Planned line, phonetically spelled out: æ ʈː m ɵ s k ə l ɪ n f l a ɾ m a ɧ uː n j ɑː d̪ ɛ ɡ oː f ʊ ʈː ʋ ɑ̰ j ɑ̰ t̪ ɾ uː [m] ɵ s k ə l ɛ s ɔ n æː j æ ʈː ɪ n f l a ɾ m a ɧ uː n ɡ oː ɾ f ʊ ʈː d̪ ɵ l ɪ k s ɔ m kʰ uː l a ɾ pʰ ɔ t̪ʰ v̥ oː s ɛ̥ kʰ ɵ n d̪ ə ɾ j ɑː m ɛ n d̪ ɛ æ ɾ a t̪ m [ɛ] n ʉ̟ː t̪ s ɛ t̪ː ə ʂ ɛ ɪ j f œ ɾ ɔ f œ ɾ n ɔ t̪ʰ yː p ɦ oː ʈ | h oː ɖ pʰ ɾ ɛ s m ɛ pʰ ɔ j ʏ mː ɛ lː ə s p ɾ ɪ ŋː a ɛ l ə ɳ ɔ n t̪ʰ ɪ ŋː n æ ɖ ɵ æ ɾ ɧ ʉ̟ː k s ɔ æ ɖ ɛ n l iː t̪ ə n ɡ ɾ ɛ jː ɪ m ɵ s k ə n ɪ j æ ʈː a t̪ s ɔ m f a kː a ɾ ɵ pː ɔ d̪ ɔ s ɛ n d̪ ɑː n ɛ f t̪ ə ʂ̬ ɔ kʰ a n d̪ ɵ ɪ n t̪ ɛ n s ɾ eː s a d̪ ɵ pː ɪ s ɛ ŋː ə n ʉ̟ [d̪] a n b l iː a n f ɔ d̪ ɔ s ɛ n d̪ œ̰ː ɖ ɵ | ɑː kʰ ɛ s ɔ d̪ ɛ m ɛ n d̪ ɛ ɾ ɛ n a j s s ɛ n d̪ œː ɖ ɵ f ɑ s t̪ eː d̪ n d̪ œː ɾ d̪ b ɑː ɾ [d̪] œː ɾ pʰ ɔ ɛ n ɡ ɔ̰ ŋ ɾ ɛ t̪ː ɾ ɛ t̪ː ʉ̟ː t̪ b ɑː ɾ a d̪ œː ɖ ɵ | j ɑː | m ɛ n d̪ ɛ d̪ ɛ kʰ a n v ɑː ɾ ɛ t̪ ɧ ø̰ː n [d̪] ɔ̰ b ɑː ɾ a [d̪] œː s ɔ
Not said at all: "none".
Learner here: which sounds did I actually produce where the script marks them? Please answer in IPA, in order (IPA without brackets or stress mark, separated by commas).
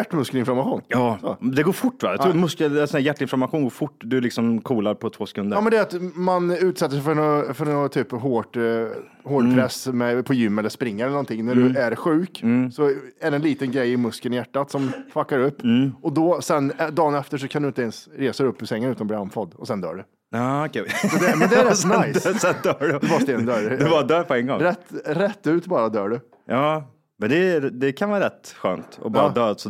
m, a, t̪, d̪, t̪, d̪